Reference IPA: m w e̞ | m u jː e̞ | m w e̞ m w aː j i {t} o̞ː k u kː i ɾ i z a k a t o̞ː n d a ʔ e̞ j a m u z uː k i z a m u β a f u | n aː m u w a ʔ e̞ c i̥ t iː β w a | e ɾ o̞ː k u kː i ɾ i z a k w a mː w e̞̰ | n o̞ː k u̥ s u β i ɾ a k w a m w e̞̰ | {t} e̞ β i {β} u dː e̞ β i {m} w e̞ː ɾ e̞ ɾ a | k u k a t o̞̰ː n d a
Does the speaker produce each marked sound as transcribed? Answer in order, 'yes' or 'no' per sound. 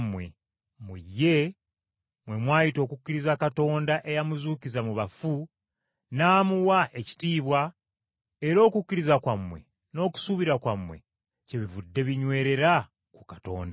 yes, no, no, no

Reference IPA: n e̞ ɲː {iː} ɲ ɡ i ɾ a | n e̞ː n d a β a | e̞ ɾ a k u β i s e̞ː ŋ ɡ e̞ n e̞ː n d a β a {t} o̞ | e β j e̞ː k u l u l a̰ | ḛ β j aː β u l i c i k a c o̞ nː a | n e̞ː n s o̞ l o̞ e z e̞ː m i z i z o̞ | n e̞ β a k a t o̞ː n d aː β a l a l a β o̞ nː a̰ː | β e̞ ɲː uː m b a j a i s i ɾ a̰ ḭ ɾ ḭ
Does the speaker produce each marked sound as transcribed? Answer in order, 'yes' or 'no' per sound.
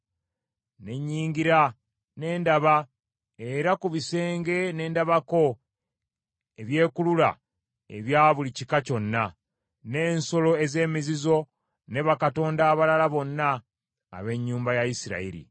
yes, no

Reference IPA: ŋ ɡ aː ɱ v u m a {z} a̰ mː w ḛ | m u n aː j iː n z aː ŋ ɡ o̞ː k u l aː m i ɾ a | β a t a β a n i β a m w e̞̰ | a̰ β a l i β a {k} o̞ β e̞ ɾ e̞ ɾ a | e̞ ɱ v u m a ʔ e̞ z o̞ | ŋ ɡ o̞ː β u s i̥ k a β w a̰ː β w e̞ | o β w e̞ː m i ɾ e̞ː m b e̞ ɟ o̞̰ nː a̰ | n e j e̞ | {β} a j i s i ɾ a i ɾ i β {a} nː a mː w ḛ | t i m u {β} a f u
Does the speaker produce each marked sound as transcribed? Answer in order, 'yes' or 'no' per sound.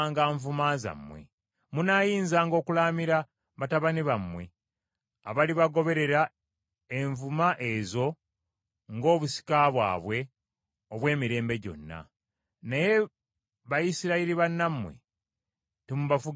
yes, no, yes, yes, yes

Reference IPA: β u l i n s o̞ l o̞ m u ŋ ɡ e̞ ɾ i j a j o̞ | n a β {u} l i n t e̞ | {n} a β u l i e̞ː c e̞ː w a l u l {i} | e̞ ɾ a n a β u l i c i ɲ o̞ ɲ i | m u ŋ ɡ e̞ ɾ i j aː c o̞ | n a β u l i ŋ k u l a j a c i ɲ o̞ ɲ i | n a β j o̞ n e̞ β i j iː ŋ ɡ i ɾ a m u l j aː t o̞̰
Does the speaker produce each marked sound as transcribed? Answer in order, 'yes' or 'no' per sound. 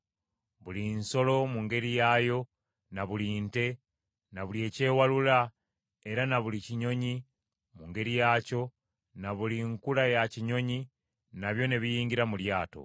yes, yes, no

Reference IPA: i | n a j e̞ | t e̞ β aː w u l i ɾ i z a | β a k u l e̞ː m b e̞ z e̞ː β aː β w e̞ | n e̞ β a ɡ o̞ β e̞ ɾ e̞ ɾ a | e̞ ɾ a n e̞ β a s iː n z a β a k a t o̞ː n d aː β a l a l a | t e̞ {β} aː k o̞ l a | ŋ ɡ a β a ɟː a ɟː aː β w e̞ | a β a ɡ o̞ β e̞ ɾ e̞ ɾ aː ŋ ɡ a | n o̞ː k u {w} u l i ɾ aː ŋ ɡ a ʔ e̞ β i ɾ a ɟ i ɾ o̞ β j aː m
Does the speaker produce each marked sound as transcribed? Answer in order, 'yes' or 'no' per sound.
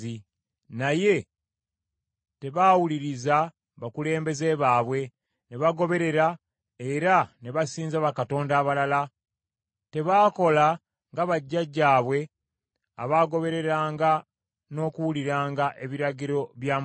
yes, yes

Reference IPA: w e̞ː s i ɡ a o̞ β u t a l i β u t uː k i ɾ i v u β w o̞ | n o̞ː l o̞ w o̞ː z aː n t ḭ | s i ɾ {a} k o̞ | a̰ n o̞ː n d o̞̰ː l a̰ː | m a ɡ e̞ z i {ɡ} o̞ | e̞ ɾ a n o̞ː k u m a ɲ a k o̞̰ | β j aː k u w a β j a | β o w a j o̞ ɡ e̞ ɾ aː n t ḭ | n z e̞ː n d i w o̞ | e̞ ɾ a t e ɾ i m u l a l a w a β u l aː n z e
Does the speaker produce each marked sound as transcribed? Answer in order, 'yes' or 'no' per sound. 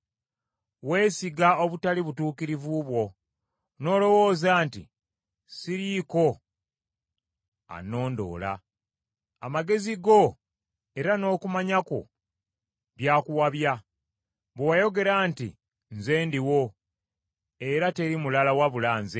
no, yes

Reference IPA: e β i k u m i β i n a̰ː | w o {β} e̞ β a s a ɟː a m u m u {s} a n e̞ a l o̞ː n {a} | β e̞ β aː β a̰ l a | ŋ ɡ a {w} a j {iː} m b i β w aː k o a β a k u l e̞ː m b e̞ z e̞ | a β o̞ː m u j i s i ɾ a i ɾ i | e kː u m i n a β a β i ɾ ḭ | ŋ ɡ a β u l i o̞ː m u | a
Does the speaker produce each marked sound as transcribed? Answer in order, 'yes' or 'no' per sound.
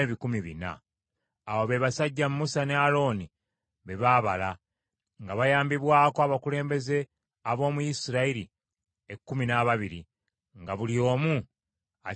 yes, yes, no, no, no

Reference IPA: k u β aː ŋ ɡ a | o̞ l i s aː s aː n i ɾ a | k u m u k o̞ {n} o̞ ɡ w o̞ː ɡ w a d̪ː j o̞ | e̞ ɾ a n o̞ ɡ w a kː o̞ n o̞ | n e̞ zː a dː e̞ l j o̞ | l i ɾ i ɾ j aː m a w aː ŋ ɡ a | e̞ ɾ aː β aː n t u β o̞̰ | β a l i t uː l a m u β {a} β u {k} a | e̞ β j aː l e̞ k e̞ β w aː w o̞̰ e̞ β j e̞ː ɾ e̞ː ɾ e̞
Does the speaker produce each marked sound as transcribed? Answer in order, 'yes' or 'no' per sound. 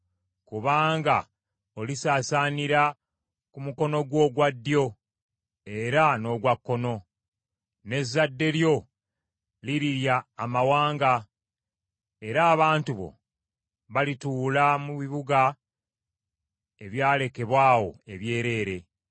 yes, no, no

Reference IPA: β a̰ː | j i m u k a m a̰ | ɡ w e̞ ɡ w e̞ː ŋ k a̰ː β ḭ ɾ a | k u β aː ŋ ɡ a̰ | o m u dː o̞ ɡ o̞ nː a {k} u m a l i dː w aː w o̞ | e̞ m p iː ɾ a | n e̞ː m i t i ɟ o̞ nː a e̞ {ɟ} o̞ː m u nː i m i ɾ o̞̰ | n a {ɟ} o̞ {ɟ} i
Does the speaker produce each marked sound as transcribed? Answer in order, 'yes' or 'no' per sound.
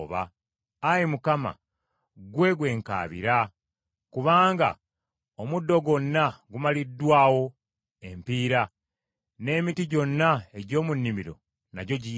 no, yes, yes, yes

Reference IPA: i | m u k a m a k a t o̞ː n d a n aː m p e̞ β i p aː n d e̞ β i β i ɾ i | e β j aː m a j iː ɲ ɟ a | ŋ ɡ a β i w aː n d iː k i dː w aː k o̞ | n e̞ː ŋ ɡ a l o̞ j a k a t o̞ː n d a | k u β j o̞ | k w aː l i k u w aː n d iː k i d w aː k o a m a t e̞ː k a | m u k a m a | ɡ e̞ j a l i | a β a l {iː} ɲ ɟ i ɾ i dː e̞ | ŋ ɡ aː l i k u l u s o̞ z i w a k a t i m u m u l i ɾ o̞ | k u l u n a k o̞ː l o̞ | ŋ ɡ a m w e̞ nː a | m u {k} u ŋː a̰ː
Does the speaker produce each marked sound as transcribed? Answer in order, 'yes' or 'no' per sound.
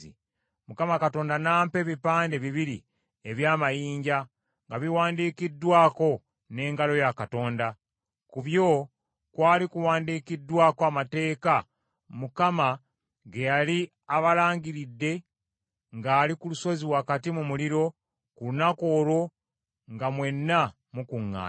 no, yes

